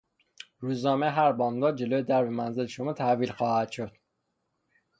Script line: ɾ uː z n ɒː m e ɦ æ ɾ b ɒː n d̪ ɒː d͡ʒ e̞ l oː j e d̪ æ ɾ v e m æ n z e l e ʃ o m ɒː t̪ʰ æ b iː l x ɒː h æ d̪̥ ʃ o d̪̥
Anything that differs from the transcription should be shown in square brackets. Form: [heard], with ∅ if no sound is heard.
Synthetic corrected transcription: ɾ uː z n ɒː m e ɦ æ ɾ b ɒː n d̪ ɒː d͡ʒ e̞ l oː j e d̪ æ ɾ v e m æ n z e l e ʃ o m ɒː t̪ʰ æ [v] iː l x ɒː h æ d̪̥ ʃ o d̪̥